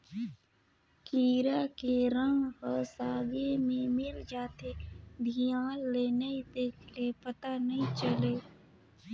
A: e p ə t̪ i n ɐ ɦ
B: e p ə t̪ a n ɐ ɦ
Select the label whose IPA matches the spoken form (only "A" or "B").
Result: B